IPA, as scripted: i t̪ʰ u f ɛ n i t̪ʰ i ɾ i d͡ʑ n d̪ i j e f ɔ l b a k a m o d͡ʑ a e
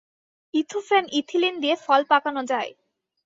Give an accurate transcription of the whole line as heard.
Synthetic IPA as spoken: i t̪ʰ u f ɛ n i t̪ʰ i l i n d̪ i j e f ɔ l p a k a n o d͡ʑ a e

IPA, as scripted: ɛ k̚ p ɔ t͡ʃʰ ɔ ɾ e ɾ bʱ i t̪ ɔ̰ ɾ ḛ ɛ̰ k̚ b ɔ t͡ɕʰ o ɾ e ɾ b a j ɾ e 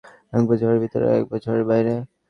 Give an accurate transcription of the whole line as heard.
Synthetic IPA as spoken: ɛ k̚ b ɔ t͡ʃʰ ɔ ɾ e ɾ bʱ i t̪ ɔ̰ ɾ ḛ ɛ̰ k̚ b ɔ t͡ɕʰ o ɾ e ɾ b a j ɾ e

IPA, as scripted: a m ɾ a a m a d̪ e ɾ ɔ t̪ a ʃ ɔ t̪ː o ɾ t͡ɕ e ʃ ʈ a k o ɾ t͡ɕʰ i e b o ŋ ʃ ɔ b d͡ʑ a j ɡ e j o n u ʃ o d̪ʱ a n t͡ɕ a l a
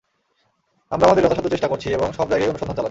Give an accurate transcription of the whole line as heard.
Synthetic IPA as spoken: a m ɾ a a m a d̪ e ɾ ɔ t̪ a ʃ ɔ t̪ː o ɾ t͡ɕ e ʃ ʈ a k o ɾ t͡ɕʰ i e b o ŋ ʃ ɔ b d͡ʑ a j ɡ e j o n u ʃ o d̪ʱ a n t͡ɕ a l a

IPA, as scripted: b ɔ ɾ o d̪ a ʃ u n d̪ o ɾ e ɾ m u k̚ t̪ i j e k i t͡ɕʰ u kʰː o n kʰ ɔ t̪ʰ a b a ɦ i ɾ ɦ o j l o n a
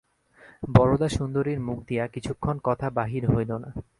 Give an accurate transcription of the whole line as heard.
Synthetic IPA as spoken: b ɔ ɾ o d̪ a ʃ u n d̪ o ɾ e ɾ m u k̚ d̪ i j a k i t͡ɕʰ u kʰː o n k ɔ t̪ʰ a b a ɦ i ɾ ɦ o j l o n a

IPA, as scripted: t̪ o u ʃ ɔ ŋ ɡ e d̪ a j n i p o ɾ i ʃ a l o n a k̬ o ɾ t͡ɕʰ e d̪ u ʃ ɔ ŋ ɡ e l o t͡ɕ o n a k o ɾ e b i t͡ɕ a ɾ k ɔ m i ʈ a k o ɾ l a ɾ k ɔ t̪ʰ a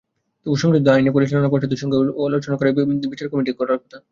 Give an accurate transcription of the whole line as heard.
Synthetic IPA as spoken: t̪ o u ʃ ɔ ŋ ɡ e d̪ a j n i p o ɾ i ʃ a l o n a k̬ o ɾ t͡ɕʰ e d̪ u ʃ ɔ ŋ ɡ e l o t͡ɕ o n a k o ɾ e b i t͡ɕ a ɾ k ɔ m i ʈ i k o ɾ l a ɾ k ɔ t̪ʰ a

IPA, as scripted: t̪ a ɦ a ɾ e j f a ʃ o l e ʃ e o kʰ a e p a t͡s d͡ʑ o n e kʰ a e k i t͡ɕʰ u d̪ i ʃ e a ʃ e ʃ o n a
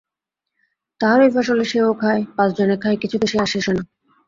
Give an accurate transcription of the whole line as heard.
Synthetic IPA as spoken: t̪ a ɦ a ɾ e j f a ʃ o l e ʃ e o kʰ a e p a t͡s d͡ʑ o n e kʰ a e k i t͡ɕʰ u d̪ e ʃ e a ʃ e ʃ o n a

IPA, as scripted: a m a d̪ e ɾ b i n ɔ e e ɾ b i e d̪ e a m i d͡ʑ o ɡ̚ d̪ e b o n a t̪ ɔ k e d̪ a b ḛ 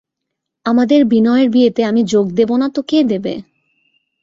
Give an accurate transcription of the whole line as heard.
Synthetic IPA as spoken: a m a d̪ e ɾ b i n ɔ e e ɾ b i e t̪ e a m i d͡ʑ o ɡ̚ d̪ e b o n a t̪ o k e d̪ e b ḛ

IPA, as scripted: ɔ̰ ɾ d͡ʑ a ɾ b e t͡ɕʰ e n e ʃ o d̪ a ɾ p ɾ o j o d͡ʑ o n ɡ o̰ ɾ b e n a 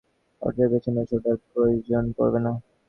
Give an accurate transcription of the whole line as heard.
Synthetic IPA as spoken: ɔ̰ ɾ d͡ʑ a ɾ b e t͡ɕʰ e n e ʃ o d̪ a ɾ p ɾ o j o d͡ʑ o n k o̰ ɾ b e n a

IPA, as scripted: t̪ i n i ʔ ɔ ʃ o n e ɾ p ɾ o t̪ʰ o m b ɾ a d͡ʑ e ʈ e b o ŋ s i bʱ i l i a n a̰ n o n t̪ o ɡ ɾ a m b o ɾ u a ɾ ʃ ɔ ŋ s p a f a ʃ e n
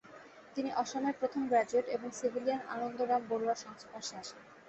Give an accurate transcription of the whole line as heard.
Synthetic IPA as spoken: t̪ i n i ʔ ɔ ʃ o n e ɾ p ɾ o t̪ʰ o m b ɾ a d͡ʑ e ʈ e b o ŋ s i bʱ i l i a n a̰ n o n d̪ o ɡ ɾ a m b o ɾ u a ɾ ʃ ɔ ŋ s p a ʃ a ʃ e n

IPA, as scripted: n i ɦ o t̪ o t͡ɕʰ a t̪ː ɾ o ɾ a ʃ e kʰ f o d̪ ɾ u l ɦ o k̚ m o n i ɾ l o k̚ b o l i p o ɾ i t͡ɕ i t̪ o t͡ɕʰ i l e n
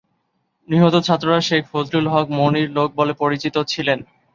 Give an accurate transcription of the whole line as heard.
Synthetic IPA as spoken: n i ɦ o t̪ o t͡ɕʰ a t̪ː ɾ o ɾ a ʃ e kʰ f o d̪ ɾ u l ɦ ɔ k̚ m o n i ɾ l o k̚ b o l e p o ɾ i t͡ɕ i t̪ o t͡ɕʰ i l e n

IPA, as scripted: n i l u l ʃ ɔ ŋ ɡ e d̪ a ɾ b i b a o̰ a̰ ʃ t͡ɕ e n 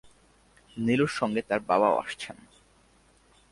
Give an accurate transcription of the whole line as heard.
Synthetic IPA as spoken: n i l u ɾ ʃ ɔ ŋ ɡ e t̪ a ɾ b a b a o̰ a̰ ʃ t͡ɕʰ e n

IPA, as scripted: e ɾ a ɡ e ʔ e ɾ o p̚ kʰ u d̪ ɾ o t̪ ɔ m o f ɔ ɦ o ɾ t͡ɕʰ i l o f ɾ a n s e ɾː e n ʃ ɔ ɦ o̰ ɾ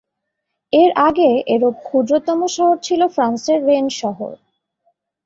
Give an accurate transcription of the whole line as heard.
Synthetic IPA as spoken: e ɾ a ɡ e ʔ e ɾ o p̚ kʰ u d̪ ɾ o t̪ ɔ m o ʃ ɔ ɦ o ɾ t͡ɕʰ i l o f ɾ a n s e ɾː e n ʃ ɔ ɦ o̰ ɾ

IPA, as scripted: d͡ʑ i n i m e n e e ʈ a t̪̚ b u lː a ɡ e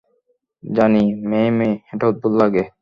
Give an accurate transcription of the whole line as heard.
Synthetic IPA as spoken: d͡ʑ a n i m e m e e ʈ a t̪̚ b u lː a ɡ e

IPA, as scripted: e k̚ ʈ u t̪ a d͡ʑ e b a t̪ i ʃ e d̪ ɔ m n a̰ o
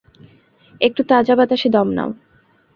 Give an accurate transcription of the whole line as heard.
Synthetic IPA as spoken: e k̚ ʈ u t̪ a d͡ʑ a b a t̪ a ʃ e d̪ ɔ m n a̰ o

